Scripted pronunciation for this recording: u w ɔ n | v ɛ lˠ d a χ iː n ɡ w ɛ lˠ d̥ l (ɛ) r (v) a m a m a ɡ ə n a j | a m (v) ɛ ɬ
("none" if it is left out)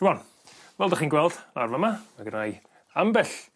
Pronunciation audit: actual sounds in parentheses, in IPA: a, v, b

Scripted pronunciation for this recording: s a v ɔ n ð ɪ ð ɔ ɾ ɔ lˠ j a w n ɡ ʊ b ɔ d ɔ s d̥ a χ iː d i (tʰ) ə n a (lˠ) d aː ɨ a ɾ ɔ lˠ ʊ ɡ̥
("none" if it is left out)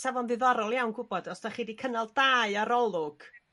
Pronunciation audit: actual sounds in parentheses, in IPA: kʰ, lˠ

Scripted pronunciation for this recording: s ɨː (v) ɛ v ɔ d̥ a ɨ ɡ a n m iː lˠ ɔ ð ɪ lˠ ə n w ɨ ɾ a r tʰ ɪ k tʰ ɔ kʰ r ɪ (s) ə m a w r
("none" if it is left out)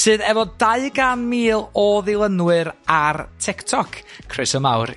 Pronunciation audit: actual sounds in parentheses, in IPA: ð, s

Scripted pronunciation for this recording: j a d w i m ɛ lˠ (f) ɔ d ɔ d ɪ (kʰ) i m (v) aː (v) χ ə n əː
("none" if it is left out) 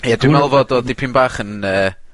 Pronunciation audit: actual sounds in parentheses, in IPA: v, pʰ, b, none

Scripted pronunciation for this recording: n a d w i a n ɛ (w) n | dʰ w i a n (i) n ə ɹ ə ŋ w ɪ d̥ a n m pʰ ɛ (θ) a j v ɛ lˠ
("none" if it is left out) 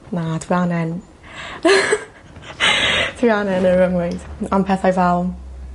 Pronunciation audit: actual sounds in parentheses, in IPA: none, ɛ, θ

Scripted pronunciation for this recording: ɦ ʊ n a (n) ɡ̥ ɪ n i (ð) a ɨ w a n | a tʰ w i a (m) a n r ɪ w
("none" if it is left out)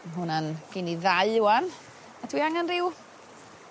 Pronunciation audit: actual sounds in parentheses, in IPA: n, ð, ŋ

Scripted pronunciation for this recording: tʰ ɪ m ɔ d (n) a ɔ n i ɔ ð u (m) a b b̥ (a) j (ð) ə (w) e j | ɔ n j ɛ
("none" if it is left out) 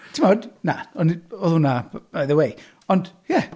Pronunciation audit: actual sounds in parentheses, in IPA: n, n, a, ð, w

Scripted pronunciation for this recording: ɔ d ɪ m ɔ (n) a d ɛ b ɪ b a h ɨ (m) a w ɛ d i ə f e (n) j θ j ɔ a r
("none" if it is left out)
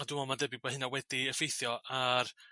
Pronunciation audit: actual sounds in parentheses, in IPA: m, n, none

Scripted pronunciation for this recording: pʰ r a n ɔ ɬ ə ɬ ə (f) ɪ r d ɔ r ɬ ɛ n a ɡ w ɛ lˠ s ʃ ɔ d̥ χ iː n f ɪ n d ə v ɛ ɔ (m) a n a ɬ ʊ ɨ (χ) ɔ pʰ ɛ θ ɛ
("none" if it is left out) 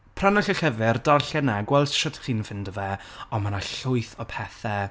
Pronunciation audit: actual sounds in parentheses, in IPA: v, m, θ

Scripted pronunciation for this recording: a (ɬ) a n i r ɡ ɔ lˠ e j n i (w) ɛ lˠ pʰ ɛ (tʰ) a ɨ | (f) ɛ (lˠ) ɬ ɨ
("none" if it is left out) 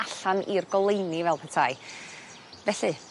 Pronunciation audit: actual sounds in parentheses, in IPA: ɬ, v, tʰ, v, none

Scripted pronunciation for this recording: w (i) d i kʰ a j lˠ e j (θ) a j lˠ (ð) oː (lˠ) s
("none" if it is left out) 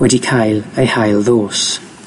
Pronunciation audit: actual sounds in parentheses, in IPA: ɛ, h, ð, none

